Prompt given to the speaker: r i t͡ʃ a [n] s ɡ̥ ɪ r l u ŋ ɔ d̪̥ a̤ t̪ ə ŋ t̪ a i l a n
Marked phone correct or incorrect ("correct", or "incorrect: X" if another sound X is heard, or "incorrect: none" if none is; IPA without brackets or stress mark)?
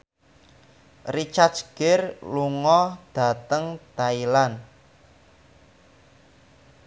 incorrect: none